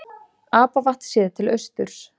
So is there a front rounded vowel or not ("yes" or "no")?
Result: yes